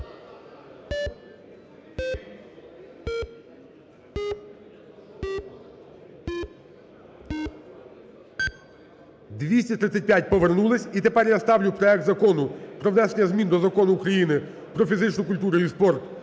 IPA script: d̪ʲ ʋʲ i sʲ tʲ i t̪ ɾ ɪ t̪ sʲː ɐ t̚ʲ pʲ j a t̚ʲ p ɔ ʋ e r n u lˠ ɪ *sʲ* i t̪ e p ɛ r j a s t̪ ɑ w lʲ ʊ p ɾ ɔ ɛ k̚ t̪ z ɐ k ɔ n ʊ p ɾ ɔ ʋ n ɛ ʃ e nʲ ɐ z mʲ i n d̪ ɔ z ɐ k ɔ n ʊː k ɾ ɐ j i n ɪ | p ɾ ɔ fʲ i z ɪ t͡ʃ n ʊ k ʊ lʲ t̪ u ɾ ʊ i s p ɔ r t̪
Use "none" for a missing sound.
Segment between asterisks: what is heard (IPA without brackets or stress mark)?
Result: sʲ